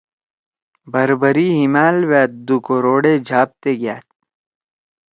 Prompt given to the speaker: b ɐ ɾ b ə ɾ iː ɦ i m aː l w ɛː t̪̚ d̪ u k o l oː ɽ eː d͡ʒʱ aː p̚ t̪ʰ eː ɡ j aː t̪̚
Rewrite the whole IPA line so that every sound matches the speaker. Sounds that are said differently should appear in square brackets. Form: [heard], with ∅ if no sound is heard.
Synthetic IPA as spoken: b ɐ ɾ b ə ɾ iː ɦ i m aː l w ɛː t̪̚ d̪ u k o [ɾ] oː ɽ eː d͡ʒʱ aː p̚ [t̪] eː ɡ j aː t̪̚